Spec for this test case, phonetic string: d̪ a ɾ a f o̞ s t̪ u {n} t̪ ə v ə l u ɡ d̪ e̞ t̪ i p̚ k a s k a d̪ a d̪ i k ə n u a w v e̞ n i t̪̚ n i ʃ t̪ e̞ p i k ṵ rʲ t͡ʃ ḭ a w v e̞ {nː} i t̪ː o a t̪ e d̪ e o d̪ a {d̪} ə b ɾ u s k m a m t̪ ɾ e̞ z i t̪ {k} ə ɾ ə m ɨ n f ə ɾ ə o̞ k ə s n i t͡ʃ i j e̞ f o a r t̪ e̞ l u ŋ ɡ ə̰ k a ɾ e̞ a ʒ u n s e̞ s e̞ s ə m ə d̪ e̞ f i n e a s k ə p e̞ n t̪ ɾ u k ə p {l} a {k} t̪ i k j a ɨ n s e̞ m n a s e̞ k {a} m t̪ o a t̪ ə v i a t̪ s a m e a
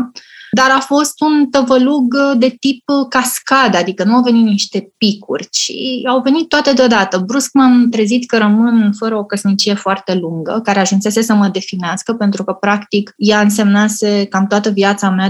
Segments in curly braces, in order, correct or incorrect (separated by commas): correct, incorrect, incorrect, correct, incorrect, correct, correct